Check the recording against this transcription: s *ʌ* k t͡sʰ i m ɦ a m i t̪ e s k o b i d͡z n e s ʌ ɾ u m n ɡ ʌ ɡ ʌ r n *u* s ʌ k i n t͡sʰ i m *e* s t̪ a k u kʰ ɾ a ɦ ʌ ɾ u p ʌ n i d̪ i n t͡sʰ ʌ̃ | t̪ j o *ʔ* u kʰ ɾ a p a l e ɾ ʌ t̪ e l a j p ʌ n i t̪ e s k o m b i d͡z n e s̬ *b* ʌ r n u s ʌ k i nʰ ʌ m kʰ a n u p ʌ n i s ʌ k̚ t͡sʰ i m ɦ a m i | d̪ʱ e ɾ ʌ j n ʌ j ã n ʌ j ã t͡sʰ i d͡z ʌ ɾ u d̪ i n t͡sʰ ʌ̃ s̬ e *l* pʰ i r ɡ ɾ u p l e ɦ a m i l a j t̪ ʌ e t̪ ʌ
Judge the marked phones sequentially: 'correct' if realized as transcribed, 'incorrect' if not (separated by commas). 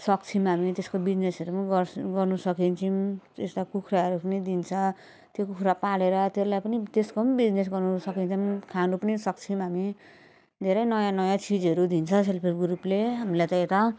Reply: correct, correct, correct, incorrect, incorrect, correct